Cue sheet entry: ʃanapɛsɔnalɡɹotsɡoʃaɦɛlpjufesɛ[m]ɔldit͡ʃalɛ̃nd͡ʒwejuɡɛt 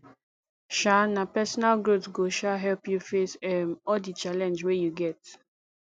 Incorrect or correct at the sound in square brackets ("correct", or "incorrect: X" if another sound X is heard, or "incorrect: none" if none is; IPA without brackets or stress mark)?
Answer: correct